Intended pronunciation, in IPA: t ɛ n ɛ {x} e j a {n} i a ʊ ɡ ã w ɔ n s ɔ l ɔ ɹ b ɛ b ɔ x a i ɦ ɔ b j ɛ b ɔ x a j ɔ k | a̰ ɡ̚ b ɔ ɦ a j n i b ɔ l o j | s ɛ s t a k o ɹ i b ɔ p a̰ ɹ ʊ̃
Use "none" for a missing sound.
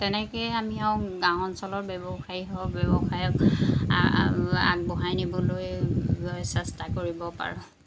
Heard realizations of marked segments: k, m

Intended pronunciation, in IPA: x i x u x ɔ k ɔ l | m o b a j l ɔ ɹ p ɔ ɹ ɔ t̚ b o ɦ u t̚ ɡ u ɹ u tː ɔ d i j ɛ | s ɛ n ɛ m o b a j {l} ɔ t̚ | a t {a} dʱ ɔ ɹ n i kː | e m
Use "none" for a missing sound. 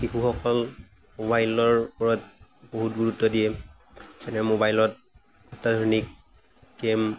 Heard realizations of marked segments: l, a

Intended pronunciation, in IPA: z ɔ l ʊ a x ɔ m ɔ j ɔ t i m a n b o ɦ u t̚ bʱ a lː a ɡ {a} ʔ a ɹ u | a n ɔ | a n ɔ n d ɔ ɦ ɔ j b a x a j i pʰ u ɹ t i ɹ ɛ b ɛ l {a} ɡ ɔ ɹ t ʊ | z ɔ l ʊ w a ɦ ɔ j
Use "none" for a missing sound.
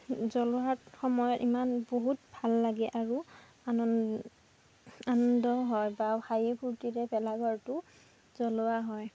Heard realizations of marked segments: ɛ, a

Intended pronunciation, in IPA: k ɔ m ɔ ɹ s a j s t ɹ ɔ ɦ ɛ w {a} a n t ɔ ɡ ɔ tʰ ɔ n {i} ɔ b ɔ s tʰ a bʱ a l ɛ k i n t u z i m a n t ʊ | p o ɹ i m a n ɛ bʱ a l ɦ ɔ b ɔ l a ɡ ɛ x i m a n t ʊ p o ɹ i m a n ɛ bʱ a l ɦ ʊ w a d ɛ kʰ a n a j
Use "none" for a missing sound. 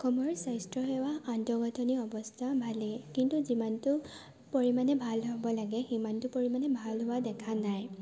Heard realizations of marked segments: a, i

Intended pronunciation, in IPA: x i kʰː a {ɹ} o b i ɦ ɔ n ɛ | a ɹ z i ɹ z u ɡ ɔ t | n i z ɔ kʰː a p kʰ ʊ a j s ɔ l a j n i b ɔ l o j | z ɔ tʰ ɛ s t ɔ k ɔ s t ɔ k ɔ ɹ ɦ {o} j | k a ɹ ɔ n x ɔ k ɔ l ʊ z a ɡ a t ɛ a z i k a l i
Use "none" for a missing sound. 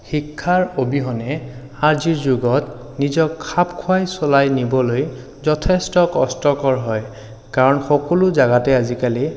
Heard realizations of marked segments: ɹ, ɔ

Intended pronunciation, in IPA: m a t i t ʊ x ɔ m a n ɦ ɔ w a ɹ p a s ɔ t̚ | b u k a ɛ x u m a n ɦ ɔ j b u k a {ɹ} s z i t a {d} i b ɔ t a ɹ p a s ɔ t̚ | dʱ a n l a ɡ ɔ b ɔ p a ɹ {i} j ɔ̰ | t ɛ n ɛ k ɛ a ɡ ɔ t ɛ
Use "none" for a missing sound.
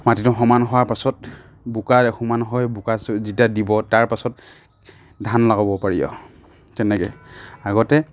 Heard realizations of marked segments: none, d, i

